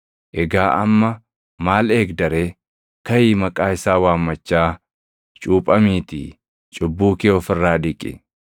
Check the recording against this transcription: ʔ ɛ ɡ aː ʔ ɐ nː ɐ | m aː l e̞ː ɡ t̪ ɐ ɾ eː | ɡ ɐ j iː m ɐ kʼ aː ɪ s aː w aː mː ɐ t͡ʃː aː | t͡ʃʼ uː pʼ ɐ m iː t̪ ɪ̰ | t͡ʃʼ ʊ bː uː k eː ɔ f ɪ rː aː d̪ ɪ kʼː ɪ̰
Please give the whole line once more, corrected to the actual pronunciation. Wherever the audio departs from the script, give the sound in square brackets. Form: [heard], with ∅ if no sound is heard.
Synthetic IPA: ʔ ɛ ɡ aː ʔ ɐ [mː] ɐ | m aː l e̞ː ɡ [d̪] ɐ ɾ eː | [k] ɐ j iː m ɐ kʼ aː ɪ s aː w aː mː ɐ t͡ʃː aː | t͡ʃʼ uː pʼ ɐ m iː t̪ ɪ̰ | t͡ʃʼ ʊ bː uː k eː ɔ f ɪ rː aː d̪ ɪ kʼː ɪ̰